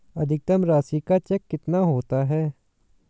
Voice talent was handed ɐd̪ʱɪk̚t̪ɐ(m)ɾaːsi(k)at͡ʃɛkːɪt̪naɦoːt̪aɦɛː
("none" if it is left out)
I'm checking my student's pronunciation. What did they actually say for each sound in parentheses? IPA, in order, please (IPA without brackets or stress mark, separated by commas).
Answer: m, k